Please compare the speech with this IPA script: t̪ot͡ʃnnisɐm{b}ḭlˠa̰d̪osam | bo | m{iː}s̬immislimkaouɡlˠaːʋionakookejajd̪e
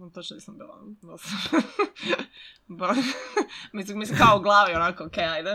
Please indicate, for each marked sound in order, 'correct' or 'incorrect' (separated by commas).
correct, incorrect